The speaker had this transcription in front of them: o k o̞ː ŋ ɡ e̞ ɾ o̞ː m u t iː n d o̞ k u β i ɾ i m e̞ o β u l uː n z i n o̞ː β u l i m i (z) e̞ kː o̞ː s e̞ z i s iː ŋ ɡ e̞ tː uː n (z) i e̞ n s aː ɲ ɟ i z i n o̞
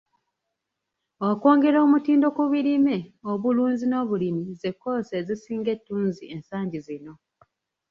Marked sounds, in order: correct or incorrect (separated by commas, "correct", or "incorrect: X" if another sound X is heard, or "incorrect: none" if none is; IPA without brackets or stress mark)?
correct, correct